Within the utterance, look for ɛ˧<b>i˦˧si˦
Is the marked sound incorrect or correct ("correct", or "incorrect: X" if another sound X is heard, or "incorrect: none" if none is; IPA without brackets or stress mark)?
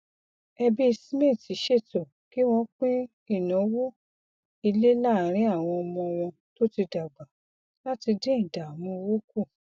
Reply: correct